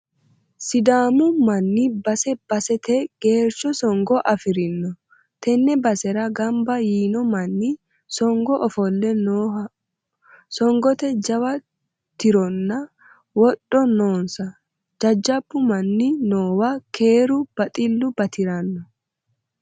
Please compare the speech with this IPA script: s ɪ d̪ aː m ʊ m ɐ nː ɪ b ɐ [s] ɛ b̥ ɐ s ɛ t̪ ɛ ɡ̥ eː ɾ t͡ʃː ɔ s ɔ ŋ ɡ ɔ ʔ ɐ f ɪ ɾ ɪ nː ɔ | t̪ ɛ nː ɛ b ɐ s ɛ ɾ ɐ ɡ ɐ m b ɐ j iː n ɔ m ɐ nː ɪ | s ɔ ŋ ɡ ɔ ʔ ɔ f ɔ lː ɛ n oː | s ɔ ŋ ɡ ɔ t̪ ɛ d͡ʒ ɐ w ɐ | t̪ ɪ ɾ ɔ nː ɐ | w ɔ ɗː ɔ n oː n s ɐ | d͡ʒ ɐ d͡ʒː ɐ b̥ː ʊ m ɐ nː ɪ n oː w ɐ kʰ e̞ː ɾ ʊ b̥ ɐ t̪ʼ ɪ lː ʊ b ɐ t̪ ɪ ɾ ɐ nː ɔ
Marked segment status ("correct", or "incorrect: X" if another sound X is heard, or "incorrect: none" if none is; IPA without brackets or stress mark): correct